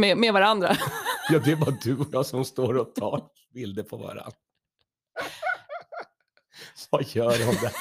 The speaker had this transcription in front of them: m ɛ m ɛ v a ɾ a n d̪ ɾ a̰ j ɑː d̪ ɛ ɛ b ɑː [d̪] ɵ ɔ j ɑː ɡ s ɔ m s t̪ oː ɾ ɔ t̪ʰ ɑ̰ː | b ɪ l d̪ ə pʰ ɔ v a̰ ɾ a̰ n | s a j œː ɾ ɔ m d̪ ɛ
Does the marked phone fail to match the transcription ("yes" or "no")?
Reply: no